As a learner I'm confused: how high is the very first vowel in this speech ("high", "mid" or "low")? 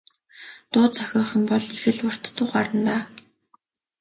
high